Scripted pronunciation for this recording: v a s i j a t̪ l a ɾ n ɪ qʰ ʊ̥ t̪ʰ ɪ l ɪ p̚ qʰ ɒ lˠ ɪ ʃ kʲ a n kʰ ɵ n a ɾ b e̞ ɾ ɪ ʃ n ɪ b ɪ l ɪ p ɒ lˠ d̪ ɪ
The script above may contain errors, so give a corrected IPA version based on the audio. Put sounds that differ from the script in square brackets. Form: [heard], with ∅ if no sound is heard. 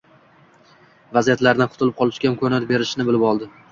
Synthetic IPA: v a [z] i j a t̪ l a ɾ n ɪ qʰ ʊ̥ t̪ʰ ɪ l ɪ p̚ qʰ ɒ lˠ ɪ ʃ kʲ a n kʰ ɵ n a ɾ b e̞ ɾ ɪ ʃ n ɪ b ɪ l ɪ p ɒ lˠ d̪ ɪ